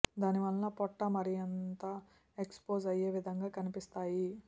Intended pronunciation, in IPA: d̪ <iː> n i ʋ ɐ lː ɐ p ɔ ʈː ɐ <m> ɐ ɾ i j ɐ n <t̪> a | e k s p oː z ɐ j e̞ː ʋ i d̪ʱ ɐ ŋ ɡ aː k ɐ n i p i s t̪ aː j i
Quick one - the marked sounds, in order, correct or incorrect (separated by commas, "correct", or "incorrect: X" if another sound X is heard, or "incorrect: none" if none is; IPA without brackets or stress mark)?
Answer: incorrect: aː, correct, correct